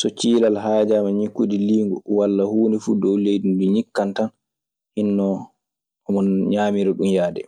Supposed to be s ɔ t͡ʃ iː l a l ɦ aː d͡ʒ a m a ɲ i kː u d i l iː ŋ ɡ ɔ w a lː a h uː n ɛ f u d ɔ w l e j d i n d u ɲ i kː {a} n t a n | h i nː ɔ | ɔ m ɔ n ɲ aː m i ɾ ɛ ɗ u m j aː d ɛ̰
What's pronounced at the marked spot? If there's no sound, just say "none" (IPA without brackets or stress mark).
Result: a